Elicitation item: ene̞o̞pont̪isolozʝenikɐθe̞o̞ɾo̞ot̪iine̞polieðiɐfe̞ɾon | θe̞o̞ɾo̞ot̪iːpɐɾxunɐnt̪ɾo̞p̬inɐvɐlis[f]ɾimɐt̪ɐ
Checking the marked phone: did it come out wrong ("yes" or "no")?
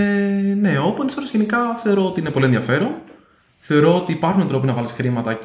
yes